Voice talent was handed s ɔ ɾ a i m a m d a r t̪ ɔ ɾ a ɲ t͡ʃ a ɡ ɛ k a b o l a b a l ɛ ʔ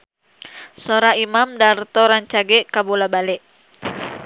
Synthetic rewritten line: s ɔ ɾ a i m a m d a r t̪ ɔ ɾ a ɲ t͡ʃ a ɡ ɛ k a b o l a b a l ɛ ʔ